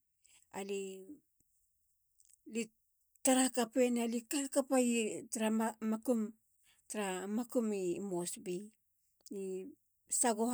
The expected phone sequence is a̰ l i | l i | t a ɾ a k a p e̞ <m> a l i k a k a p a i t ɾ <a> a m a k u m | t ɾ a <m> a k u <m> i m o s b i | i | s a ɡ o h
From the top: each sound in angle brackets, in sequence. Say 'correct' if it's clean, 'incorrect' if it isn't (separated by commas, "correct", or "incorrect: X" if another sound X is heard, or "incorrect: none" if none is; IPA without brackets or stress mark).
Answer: incorrect: n, correct, correct, correct